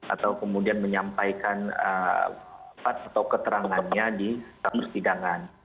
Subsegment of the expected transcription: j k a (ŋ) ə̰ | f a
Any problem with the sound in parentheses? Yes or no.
yes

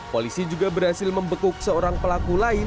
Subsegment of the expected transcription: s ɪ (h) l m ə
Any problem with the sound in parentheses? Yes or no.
yes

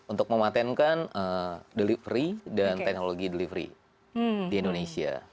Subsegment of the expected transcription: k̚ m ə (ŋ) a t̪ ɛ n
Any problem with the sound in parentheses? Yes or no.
yes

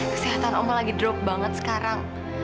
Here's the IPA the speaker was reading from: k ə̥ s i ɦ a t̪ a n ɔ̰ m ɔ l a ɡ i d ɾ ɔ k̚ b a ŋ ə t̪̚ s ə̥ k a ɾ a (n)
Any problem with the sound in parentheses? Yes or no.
yes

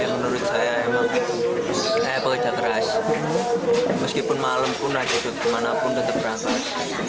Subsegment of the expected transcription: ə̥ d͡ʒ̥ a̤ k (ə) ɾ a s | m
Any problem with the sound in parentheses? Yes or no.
no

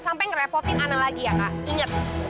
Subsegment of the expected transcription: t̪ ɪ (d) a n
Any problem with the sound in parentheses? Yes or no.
yes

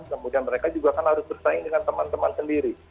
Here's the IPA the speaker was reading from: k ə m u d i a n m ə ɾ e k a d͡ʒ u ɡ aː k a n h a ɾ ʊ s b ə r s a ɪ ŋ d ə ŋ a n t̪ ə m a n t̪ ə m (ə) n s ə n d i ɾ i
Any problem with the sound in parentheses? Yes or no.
yes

